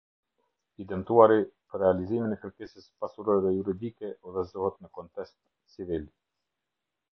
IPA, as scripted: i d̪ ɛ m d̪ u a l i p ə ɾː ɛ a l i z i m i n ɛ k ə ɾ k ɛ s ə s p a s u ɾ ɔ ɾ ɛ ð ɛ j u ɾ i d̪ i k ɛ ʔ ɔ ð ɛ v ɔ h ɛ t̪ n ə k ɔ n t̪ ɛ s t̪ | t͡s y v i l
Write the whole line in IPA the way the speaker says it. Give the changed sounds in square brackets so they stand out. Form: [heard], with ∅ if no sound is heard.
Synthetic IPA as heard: i d̪ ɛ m [t̪] u a [ɾ] i p ə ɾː ɛ a l i z i m i n ɛ k ə ɾ k ɛ s ə s p a s u ɾ ɔ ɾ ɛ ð ɛ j u ɾ i d̪ i k ɛ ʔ ɔ ð ɛ [z] ɔ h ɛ t̪ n ə k ɔ n t̪ ɛ s t̪ | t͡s [i] v i l